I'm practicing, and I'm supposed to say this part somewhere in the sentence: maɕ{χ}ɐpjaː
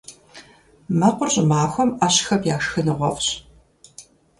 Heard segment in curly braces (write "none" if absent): x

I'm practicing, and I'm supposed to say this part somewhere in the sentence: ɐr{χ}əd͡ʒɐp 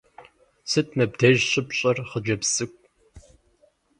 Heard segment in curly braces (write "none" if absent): χ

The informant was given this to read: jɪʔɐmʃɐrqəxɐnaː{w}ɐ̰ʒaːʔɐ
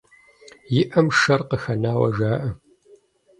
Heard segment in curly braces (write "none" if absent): w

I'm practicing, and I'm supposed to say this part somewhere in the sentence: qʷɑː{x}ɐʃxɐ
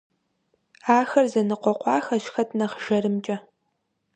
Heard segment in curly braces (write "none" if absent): x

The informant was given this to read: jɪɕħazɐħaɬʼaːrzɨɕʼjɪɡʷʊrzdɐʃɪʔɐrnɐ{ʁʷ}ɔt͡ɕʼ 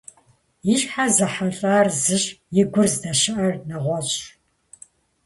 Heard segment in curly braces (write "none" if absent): ʁʷ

